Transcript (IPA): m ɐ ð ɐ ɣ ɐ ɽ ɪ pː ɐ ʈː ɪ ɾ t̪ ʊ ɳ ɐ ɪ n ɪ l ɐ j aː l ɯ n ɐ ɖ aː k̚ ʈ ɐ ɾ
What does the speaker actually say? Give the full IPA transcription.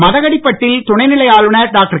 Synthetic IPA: m ɐ ð ɐ ɣ ɐ ɽ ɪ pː ɐ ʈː ɪ l t̪ ʊ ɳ ɐ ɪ n ɪ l ɐ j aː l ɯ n ɐ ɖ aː k̚ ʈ ɐ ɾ